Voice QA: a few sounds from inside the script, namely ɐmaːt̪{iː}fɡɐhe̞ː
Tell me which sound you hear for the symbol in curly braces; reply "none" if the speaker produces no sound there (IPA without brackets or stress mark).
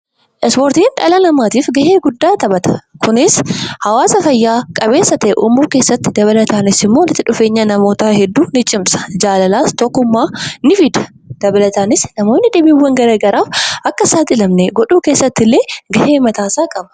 iː